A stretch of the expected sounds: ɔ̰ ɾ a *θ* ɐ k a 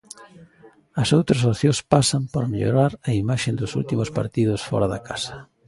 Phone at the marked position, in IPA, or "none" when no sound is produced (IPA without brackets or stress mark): ð